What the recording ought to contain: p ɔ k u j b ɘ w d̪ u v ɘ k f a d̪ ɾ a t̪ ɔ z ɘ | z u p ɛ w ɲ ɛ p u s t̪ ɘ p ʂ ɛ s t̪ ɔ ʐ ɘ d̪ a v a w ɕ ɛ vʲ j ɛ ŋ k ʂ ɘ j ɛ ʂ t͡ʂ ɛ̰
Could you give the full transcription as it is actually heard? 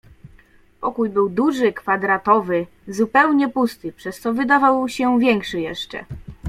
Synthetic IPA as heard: p ɔ k u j b ɘ w d̪ u ʐ ɘ k f a d̪ ɾ a t̪ ɔ v ɘ | z u p ɛ w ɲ ɛ p u s t̪ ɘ p ʂ ɛ s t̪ ɔ v ɘ d̪ a v a w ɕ ɛ vʲ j ɛ ŋ k ʂ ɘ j ɛ ʂ t͡ʂ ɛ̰